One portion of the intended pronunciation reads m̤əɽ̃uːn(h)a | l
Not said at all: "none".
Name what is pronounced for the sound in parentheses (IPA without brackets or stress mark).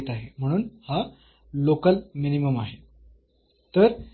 h